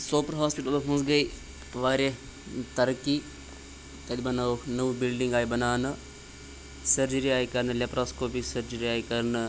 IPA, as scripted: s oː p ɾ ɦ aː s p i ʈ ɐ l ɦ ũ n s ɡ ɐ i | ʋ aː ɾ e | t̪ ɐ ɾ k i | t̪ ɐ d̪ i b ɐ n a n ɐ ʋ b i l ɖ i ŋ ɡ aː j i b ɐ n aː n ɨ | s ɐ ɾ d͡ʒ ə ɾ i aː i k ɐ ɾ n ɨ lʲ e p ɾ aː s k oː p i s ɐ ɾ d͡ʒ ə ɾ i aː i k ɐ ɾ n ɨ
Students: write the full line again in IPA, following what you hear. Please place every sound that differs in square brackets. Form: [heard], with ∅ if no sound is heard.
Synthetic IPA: s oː p ɾ ɦ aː s p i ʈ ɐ l ɦ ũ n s ɡ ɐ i | ʋ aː ɾ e | t̪ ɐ ɾ k i | t̪ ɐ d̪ i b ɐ n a n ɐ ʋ b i l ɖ i ŋ ɡ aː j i b ɐ n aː n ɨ | s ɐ ɾ d͡ʒ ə ɾ i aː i k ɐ ɾ n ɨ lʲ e p ɾ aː s k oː p i s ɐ ɾ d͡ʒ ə ɾ i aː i k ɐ ɾ n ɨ